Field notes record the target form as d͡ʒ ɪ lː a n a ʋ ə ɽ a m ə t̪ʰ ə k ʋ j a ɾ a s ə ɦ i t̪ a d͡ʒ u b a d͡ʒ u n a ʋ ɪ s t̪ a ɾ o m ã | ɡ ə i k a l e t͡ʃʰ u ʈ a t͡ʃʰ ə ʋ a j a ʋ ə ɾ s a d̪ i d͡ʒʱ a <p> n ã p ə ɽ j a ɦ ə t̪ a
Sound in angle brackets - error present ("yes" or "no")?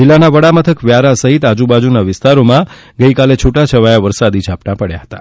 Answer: no